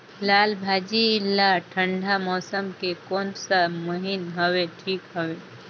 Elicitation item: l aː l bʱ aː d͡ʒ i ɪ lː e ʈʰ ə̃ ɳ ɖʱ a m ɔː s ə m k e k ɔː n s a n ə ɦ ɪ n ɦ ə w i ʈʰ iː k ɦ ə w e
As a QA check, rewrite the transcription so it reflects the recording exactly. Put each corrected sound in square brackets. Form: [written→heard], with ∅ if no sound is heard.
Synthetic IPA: l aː l bʱ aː d͡ʒ i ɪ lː [e→a] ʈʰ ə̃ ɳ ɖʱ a m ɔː s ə m k e k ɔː n s a [n→m] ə ɦ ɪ n ɦ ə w [i→e] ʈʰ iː k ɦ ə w e